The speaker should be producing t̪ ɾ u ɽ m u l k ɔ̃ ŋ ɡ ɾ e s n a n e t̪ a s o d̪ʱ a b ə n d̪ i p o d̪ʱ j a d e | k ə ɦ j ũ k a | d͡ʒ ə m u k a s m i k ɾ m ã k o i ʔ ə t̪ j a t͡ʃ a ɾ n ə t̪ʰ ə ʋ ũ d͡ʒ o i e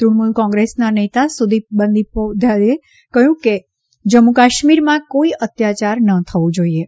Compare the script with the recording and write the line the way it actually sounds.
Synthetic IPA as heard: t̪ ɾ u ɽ m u l k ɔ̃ ŋ ɡ ɾ e s n a n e t̪ a s u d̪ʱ i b ə n d̪ i p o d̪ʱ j a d e | k ə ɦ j ũ k e | d͡ʒ ə m u k a ʃ m i ɾ m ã k o i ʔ ə t̪ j a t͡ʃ a ɾ n ə t̪ʰ ə ʋ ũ d͡ʒ o i e